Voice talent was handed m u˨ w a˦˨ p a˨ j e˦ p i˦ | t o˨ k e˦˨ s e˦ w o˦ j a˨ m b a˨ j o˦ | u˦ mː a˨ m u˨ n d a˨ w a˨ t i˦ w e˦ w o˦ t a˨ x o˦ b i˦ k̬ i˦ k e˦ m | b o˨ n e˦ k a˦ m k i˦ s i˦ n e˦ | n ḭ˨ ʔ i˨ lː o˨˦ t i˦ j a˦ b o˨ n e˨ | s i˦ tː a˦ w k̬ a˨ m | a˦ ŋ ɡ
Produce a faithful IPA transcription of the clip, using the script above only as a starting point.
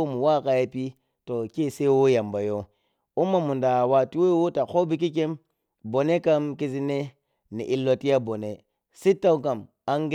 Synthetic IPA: m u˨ w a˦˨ k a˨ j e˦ p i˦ | t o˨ k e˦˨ s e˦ w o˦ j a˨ m b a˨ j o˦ | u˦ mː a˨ m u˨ n d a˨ w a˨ t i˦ w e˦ w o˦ t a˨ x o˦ b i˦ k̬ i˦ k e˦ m | b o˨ n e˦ k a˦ m k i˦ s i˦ n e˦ | n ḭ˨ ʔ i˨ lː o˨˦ t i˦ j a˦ b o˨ n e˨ | s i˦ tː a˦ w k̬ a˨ m | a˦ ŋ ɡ